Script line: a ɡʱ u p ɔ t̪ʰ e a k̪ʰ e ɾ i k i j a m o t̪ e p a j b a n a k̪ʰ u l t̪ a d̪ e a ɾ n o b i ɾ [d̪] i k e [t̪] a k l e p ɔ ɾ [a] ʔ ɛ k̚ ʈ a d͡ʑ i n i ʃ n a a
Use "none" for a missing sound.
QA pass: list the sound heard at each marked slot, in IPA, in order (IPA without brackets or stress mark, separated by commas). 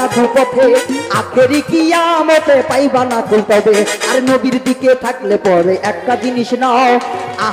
d̪, t̪ʰ, e